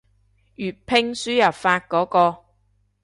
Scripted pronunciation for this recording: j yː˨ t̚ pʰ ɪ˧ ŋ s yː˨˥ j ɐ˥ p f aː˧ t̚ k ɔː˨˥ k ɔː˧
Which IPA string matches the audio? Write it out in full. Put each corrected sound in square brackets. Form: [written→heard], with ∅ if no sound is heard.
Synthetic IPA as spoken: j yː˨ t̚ pʰ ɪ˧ ŋ s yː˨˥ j [ɐ˥→ɐ˨˩] p f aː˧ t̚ k ɔː˨˥ k ɔː˧